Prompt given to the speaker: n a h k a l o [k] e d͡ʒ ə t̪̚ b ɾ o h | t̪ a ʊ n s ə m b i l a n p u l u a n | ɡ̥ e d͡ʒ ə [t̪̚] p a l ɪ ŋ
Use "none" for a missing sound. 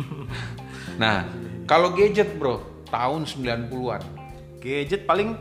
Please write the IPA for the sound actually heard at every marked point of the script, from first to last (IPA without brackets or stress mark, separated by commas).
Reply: ɡ, t̪̚